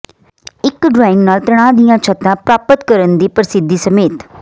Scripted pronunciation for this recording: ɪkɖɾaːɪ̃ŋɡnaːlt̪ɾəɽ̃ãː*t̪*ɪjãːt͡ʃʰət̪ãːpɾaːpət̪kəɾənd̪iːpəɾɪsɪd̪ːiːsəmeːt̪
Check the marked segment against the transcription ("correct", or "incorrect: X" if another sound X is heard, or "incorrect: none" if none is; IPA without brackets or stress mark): incorrect: d̪